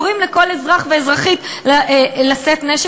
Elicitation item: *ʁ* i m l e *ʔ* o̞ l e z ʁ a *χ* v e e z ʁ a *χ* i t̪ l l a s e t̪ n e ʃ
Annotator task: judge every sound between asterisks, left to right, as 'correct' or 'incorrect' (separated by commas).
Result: correct, incorrect, correct, correct